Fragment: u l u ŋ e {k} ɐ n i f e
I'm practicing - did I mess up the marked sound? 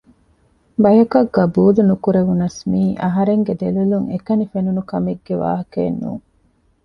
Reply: no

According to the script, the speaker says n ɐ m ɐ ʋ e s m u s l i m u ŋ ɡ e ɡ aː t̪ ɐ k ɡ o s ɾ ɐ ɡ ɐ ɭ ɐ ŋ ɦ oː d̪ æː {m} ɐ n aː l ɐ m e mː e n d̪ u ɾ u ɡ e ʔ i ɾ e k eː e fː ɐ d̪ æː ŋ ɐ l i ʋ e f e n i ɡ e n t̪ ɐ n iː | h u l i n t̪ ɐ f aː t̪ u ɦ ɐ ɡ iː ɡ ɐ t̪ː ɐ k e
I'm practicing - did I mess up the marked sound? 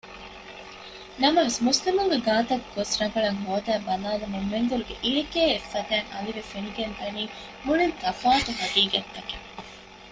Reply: yes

